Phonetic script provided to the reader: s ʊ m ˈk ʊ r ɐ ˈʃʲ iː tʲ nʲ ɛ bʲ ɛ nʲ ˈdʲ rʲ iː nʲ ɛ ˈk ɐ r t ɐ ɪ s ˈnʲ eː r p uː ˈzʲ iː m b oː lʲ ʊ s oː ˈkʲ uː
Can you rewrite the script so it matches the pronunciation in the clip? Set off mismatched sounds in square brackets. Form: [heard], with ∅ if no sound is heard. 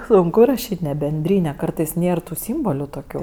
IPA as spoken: s ʊ [ŋ] ˈk ʊ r ɐ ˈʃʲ iː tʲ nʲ ɛ bʲ ɛ nʲ ˈdʲ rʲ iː nʲ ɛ ˈk ɐ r t ɐ ɪ s ˈnʲ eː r [t] uː [ˈsʲ] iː m b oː lʲ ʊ [t] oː ˈkʲ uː